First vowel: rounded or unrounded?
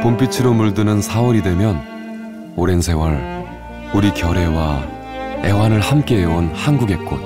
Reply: rounded